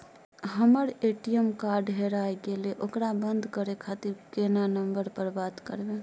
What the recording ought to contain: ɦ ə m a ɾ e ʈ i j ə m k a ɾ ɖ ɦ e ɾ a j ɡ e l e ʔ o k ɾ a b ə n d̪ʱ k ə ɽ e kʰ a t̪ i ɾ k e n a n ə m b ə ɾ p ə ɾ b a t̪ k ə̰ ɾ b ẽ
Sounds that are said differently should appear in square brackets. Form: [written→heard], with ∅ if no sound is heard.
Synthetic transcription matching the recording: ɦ ə m [a→ə] ɾ e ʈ i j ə m k a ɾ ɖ ɦ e ɾ a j ɡ e l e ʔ o k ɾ a b ə n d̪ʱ k ə [ɽ→ɾ] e kʰ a t̪ i ɾ k e n a n ə m b ə ɾ p ə ɾ b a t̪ k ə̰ ɾ b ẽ